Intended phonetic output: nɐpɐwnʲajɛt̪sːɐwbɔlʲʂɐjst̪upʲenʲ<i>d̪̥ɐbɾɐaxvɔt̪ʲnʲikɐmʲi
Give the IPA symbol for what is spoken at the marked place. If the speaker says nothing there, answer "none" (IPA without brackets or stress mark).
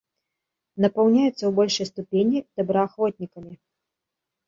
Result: i